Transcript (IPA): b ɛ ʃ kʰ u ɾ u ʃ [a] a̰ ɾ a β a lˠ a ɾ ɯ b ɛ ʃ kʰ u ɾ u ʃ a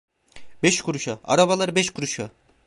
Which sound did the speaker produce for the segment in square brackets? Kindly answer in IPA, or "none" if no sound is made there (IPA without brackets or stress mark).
a